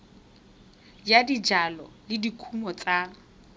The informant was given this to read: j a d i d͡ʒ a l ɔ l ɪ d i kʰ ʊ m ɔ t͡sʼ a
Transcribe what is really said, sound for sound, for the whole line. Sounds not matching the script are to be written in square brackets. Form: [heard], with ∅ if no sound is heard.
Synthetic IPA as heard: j a d i d͡ʒ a l ɔ l ɪ d i kʰ [u] m ɔ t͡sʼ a